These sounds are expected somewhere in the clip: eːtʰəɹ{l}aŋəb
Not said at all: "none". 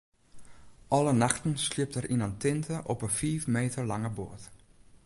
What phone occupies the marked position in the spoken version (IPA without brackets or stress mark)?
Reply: l